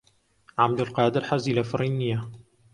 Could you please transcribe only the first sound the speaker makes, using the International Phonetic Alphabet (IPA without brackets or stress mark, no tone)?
ʕ